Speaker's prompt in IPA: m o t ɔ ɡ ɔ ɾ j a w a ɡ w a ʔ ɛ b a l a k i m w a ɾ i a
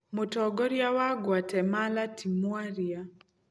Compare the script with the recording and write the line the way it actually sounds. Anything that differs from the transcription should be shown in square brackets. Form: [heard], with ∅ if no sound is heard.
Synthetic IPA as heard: m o t ɔ ɡ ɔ ɾ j a w a ɡ w a [t] ɛ [m] a l a [t] i m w a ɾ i a